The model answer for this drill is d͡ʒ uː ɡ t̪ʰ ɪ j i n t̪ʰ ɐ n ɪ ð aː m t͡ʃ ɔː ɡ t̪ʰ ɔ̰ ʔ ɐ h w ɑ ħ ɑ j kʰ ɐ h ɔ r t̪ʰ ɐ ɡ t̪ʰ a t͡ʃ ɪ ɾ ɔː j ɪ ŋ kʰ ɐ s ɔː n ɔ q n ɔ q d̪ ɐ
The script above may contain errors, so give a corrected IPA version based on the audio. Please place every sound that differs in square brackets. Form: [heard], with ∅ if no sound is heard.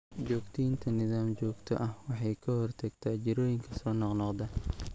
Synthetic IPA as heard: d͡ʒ [ɔː] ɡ t̪ʰ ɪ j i n t̪ʰ ɐ n ɪ ð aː m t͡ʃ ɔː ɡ t̪ʰ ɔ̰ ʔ ɐ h w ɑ ħ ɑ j kʰ ɐ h ɔ r t̪ʰ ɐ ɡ t̪ʰ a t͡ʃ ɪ ɾ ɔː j ɪ ŋ kʰ ɐ s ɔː n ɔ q n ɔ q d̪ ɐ